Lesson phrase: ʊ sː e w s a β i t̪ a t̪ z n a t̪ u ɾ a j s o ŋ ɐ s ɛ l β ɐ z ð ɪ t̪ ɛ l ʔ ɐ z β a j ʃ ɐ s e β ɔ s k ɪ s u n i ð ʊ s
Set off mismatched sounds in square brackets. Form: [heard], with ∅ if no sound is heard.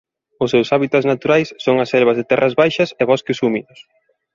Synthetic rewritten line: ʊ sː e w s a β i t̪ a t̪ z n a t̪ u ɾ a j [sː] o ŋ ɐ s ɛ l β ɐ z ð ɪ t̪ ɛ [r] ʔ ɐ z β a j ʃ ɐ s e β ɔ s k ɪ s u [m] i ð ʊ s